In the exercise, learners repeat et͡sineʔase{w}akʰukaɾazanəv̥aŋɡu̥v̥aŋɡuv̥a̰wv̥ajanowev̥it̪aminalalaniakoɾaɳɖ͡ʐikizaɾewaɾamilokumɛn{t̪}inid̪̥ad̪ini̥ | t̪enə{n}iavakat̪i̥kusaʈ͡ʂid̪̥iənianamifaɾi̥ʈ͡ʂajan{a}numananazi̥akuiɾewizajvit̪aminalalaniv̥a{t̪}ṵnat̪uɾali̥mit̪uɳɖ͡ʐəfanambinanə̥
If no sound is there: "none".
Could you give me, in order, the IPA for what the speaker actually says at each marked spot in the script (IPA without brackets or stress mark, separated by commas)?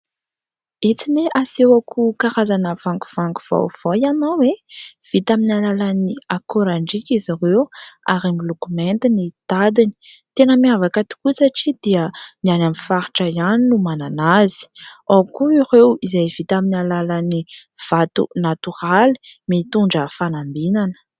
w, t̪, m, i, t̪